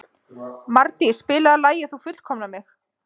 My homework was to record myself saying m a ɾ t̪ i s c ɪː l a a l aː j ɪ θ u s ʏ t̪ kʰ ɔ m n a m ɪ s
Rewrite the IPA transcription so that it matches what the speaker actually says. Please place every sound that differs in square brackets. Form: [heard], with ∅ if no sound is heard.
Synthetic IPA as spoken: m a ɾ t̪ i s [p] ɪː l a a l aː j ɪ θ u [f] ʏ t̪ kʰ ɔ m n a m ɪ [x]